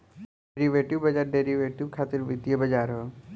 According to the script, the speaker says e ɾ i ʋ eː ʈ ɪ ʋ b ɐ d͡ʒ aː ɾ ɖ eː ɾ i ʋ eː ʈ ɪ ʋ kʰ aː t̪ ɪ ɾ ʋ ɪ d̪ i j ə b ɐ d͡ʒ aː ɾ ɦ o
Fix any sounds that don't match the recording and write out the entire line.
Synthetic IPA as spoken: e ɾ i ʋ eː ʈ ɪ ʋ b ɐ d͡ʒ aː ɾ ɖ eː ɾ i ʋ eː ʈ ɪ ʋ kʰ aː t̪ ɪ ɾ ʋ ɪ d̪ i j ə b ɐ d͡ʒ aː ɾ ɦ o